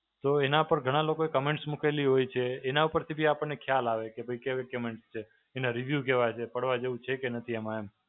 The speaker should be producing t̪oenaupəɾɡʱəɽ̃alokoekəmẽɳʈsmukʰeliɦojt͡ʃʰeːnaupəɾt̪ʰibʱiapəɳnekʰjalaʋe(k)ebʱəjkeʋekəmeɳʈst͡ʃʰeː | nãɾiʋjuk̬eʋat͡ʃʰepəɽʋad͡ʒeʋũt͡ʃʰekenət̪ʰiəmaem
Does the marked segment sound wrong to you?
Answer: no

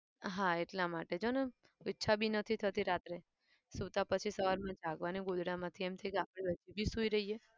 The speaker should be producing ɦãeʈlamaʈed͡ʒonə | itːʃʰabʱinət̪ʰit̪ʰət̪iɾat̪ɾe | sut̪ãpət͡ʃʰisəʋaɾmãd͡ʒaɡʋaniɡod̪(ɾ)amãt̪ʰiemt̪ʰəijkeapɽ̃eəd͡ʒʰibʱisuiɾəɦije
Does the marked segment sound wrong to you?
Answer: yes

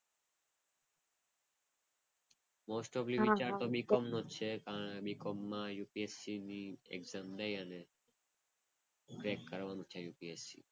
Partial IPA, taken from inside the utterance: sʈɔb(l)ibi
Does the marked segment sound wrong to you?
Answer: no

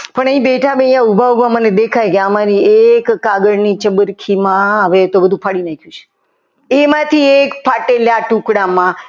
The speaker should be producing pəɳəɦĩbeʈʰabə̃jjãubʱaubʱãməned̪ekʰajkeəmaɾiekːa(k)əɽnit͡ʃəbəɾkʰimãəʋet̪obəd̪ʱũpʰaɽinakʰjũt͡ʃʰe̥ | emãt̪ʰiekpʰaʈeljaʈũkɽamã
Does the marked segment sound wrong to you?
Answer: yes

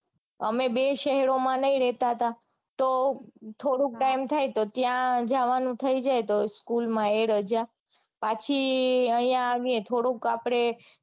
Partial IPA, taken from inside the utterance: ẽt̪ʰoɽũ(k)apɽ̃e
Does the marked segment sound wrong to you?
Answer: no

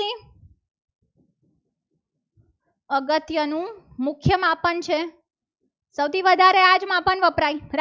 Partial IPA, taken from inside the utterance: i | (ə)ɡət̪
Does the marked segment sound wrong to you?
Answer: no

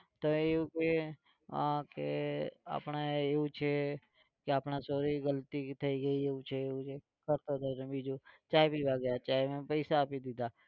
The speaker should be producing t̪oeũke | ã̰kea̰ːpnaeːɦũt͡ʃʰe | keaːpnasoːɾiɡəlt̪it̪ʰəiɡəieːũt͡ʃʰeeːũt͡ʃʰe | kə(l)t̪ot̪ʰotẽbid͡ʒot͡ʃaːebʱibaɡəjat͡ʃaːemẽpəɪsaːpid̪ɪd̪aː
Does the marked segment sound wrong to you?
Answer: yes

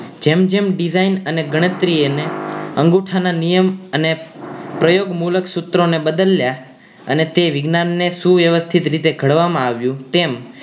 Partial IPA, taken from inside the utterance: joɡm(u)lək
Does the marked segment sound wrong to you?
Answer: no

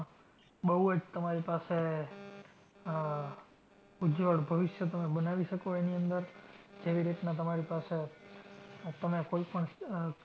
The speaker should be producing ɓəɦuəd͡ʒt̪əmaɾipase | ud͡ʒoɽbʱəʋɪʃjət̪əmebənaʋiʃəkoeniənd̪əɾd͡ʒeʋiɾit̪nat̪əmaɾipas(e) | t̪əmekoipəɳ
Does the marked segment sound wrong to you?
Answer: no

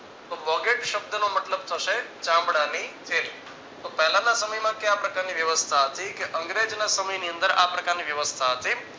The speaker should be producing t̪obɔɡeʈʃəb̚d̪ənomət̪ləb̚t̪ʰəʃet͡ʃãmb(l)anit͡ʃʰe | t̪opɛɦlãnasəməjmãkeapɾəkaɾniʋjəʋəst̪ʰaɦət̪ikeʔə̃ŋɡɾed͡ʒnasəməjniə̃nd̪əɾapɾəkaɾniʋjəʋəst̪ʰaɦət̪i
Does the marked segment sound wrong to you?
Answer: yes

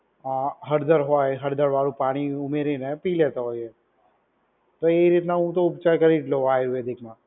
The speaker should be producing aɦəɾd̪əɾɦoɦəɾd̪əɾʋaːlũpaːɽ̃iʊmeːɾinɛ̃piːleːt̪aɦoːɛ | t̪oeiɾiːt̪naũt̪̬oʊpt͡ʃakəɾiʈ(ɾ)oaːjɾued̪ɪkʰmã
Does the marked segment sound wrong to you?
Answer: yes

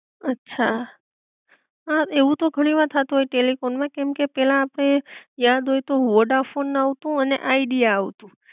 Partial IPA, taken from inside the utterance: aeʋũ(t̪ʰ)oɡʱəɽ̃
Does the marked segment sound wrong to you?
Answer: yes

